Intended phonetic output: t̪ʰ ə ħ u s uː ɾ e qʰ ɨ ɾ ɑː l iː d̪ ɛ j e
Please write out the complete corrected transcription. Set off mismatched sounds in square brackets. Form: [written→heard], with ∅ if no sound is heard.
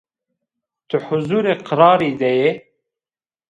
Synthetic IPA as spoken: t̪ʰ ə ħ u [s→z] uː ɾ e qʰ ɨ ɾ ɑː [l→ɾ] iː d̪ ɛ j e